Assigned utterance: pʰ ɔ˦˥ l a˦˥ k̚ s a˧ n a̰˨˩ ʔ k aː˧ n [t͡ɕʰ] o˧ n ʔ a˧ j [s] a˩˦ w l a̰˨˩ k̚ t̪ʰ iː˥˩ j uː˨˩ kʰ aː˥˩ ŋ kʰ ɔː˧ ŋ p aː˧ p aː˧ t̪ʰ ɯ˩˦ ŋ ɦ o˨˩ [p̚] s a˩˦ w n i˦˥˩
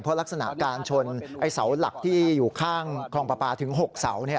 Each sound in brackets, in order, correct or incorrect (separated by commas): correct, correct, incorrect